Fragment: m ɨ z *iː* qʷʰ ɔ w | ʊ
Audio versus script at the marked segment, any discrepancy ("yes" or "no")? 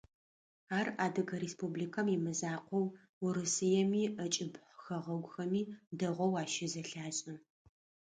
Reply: yes